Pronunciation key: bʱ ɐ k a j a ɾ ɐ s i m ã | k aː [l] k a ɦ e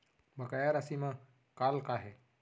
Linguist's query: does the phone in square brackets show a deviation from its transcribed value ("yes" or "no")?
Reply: no